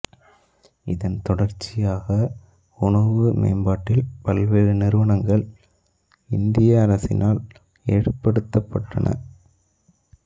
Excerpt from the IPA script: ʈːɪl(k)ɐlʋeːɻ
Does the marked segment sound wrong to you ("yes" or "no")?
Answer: yes